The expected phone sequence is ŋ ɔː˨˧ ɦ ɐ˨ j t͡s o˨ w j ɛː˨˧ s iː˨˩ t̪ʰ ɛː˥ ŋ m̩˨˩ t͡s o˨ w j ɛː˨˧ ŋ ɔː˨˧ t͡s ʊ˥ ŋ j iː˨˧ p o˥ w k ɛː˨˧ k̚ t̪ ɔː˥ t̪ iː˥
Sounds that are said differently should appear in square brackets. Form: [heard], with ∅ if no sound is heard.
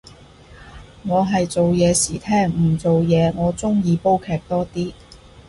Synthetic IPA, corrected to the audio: ŋ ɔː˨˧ ɦ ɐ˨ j t͡s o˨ w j ɛː˨˧ s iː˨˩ t̪ʰ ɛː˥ ŋ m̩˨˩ t͡s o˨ w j ɛː˨˧ ŋ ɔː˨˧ t͡s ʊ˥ ŋ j iː˨˧ p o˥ w [kʰ] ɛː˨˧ k̚ t̪ ɔː˥ t̪ iː˥